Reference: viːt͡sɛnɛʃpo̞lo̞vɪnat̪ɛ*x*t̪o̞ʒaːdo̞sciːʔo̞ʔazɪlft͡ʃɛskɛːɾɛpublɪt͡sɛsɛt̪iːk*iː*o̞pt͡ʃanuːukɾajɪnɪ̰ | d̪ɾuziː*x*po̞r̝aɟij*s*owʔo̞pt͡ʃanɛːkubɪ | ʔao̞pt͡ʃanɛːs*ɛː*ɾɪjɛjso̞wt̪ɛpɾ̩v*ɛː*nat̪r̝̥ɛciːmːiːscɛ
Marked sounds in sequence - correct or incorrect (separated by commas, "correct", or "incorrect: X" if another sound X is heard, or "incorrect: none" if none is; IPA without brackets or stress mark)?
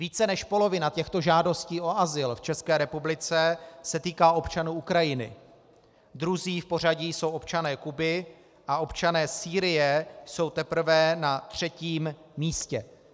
correct, incorrect: aː, incorrect: f, correct, incorrect: iː, incorrect: ɛ